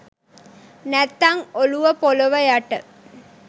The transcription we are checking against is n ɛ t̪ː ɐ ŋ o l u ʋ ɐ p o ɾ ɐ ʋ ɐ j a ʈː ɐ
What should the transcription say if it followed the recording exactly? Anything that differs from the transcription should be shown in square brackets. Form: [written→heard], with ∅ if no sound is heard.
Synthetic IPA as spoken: n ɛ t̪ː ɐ ŋ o l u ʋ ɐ p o [ɾ→l] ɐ ʋ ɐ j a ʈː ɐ